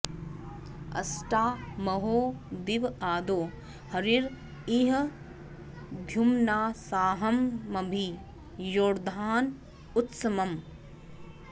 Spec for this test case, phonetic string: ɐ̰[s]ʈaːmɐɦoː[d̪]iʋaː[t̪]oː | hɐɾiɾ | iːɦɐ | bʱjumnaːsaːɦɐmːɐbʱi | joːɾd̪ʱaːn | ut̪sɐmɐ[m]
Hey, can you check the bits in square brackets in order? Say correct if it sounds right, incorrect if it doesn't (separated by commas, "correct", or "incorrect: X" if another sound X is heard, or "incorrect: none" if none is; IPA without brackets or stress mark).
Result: correct, correct, incorrect: d̪, correct